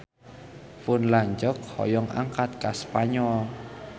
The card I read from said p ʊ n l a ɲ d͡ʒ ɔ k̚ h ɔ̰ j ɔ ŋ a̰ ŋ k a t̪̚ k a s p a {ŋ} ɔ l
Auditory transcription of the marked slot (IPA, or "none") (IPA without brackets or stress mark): ɲ